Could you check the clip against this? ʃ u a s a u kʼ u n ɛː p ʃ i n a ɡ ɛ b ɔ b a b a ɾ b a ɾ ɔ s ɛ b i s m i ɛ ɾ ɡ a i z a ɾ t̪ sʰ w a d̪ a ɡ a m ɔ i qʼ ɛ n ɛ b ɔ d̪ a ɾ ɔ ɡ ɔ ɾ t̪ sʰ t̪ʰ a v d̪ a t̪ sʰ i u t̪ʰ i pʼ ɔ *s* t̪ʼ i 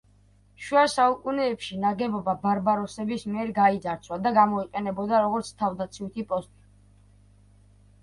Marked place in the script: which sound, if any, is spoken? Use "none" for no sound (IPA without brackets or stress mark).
s